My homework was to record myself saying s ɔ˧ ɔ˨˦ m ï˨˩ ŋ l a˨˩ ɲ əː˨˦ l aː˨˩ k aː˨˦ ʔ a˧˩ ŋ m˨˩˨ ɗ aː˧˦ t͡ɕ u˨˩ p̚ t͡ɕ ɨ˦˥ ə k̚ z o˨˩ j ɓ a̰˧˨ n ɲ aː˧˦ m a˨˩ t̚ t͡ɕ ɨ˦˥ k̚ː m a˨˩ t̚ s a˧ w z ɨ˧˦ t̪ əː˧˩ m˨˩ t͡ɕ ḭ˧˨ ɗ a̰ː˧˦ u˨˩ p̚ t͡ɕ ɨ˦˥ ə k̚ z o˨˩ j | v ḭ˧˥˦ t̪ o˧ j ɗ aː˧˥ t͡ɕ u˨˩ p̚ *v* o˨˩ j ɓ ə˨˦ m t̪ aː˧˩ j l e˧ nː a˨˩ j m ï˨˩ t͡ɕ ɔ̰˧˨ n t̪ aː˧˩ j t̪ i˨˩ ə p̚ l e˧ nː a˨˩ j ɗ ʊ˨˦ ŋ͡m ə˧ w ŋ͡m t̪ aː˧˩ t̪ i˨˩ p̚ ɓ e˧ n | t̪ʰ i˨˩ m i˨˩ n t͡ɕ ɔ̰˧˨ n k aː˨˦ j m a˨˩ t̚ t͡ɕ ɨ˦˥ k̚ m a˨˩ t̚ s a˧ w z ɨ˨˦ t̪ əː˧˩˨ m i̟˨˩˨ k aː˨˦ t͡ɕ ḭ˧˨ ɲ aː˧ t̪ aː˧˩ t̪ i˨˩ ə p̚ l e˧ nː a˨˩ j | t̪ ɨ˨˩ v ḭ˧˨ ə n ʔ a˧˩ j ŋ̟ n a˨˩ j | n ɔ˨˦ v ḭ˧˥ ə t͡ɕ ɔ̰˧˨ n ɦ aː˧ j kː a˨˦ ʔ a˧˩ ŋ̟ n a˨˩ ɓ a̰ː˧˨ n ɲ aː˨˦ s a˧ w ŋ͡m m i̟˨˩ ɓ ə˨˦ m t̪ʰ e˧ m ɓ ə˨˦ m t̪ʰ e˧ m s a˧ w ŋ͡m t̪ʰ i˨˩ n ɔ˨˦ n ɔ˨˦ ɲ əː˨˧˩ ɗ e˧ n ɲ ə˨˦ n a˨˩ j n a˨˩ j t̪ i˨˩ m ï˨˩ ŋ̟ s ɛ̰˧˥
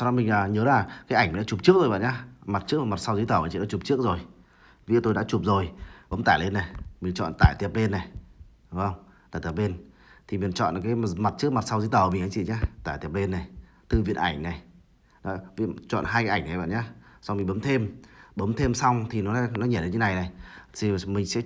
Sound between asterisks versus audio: incorrect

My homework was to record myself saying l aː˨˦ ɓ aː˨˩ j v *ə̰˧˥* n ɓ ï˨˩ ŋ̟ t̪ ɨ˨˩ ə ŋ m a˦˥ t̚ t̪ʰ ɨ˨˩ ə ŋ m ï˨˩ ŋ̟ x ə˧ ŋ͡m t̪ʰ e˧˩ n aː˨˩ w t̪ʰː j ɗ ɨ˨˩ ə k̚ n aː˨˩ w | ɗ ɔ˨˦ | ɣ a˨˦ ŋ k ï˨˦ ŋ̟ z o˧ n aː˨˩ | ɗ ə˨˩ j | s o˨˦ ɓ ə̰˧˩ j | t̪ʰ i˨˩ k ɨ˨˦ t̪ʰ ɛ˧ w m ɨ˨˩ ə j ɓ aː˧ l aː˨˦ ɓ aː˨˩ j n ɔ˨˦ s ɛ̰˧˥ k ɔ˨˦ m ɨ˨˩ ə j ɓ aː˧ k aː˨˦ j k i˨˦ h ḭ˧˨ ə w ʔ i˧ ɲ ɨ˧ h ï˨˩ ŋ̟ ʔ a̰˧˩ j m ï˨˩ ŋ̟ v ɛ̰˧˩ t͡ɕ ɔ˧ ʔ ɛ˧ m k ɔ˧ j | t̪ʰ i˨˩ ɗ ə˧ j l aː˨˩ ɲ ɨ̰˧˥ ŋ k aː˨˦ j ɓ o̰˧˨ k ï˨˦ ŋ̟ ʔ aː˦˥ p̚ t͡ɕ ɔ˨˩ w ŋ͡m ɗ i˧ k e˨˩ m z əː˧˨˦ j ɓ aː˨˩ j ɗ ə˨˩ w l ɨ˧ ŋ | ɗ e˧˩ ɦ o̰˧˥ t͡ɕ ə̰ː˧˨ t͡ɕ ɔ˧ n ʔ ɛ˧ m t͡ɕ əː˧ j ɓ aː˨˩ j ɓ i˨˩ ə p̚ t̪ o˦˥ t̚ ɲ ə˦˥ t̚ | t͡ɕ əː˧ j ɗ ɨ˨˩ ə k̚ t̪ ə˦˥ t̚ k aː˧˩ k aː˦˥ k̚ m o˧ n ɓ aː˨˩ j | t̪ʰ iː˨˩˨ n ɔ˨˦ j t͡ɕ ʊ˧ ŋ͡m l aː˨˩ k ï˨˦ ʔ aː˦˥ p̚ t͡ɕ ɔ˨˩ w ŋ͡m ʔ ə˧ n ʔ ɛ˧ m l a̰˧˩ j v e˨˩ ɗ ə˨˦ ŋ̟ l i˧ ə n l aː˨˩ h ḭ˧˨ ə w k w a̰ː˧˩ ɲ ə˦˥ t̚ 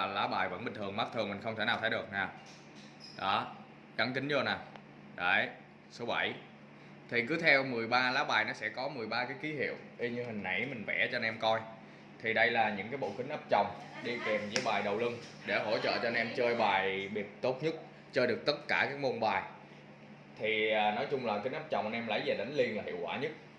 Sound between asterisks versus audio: correct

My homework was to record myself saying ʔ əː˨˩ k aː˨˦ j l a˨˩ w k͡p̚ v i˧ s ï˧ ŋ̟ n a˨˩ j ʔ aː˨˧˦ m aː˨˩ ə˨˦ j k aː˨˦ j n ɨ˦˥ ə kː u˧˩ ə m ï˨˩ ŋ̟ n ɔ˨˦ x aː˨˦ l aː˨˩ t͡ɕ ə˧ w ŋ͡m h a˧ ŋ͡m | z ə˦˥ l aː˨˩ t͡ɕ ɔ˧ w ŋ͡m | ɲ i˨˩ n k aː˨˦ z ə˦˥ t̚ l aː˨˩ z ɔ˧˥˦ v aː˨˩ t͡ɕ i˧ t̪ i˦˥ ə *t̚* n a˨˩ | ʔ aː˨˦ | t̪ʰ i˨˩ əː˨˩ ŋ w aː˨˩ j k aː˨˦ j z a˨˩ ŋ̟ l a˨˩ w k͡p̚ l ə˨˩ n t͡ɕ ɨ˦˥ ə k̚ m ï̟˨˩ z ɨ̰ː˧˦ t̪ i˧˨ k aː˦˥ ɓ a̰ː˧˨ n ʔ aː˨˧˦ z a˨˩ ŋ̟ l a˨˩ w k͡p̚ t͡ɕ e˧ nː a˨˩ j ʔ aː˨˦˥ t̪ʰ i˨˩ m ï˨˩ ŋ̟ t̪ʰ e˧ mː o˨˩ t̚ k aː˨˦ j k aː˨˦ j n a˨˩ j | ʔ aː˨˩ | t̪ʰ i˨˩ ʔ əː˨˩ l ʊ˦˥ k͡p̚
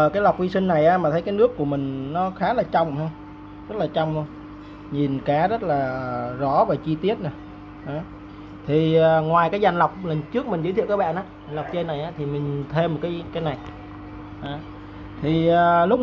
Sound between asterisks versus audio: correct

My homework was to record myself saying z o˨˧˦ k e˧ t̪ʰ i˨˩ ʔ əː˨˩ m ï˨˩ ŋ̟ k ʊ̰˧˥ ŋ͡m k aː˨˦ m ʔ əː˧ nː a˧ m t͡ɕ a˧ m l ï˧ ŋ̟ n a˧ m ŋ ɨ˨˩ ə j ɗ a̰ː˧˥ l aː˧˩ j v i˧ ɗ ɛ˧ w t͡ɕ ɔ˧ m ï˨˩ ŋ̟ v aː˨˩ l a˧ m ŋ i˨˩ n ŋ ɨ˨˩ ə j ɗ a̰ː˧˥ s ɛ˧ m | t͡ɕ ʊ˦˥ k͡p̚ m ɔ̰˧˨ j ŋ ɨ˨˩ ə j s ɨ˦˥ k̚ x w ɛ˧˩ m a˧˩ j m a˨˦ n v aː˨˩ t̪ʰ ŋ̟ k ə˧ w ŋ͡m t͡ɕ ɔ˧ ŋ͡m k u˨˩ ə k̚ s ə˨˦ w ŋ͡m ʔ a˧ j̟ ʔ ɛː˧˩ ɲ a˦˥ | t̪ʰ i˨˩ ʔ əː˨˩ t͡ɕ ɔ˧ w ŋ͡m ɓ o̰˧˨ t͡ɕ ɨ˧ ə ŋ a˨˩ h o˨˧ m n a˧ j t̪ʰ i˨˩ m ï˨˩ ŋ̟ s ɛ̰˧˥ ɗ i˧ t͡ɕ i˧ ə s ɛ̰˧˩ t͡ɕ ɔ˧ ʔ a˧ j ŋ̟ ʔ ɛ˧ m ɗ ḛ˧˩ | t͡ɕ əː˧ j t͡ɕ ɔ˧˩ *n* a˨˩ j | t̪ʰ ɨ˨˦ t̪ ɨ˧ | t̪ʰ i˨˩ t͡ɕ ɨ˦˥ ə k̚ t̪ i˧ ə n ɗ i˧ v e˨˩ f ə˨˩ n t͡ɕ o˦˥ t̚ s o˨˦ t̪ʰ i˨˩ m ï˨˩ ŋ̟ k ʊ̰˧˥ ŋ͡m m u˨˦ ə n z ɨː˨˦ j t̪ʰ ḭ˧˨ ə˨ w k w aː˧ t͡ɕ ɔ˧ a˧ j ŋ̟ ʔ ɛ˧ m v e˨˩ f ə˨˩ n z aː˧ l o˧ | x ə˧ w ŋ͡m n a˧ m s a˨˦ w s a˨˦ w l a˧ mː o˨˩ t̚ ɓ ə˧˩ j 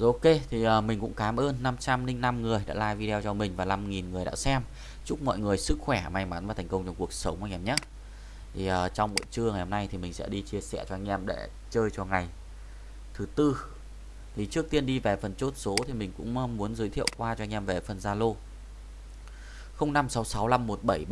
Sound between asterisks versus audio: incorrect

